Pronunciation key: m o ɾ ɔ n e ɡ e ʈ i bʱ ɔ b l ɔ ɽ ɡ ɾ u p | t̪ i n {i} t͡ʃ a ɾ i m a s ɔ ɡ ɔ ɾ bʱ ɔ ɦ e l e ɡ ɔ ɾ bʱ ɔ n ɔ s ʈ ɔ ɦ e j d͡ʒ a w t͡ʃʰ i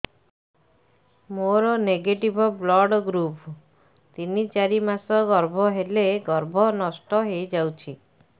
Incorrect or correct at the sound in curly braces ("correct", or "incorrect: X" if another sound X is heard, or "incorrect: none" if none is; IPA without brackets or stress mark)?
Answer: correct